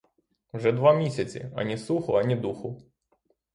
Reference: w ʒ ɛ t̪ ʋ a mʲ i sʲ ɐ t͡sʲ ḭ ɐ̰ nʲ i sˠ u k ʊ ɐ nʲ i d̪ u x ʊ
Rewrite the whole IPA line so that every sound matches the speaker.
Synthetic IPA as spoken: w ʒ ɛ d̪ ʋ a mʲ i sʲ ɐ t͡sʲ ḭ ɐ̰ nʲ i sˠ u x ʊ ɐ nʲ i d̪ u x ʊ